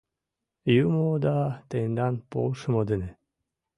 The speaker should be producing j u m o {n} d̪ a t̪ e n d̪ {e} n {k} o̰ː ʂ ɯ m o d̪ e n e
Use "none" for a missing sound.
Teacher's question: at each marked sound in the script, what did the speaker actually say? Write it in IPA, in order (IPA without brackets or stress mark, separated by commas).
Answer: none, a, p